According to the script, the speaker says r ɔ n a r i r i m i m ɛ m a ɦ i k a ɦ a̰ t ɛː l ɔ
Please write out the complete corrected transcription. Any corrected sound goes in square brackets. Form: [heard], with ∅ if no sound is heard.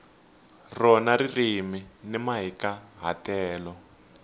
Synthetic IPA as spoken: r ɔ n a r i r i m i [n] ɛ m a ɦ i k a ɦ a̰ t ɛː l ɔ

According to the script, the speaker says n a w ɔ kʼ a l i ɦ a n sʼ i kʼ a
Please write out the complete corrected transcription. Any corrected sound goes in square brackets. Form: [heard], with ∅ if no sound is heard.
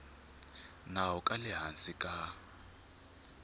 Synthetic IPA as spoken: n a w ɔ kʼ a l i ɦ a n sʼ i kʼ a

